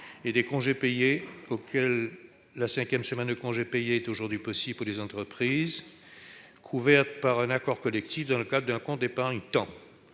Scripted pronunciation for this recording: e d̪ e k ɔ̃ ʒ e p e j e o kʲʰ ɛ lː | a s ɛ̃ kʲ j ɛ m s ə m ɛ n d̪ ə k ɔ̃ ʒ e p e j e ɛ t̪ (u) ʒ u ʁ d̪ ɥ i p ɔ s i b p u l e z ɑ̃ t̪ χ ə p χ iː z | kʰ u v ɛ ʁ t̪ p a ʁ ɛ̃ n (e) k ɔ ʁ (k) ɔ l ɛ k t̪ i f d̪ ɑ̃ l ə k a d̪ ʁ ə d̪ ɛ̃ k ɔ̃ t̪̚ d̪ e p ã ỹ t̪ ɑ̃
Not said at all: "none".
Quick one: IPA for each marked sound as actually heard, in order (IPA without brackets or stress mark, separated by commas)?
o, a, k